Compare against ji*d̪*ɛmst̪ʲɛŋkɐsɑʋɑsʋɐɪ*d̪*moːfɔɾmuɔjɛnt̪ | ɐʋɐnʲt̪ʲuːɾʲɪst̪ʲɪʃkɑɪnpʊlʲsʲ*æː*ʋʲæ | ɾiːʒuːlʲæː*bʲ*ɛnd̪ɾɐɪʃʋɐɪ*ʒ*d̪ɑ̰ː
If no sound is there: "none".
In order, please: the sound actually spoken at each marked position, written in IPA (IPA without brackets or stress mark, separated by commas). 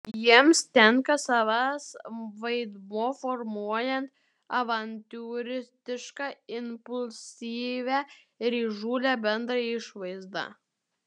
none, d̪, iː, bʲ, z